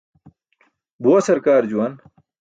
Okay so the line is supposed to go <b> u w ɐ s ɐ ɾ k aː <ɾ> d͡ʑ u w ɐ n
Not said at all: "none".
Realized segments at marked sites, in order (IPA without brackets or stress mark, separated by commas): b, ɾ